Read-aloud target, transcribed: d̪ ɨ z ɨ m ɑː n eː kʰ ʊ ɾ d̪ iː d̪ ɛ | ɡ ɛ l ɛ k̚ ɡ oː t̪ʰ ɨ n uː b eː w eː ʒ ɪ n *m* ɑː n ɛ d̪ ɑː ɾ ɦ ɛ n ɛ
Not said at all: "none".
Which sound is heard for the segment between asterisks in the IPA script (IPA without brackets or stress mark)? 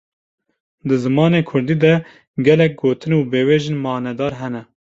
m